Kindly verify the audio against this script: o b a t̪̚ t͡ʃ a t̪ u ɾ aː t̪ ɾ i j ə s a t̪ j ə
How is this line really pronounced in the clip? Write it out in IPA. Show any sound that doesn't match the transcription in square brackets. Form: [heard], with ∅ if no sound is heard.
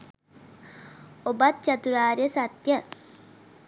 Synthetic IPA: o b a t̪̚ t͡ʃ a t̪ u ɾ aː [∅] ɾ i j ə s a t̪ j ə